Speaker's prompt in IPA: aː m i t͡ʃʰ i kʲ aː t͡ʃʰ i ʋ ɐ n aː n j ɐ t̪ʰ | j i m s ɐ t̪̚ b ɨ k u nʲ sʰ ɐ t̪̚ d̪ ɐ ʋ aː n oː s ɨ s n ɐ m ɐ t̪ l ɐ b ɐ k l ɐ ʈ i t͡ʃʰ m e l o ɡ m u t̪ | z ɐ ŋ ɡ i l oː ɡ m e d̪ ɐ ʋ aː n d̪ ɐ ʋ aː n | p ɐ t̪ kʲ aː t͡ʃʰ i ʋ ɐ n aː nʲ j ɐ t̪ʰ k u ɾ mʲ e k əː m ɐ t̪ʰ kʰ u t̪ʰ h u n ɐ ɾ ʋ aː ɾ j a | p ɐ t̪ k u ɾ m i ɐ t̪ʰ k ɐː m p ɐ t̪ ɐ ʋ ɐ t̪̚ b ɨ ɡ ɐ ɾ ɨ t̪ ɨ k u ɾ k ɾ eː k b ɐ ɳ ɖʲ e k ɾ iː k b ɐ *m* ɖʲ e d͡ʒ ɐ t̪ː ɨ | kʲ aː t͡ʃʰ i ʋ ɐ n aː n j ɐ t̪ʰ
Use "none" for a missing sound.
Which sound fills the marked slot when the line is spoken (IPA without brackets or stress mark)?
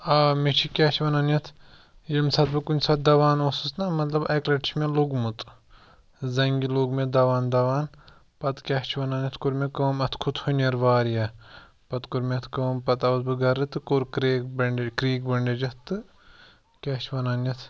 ɳ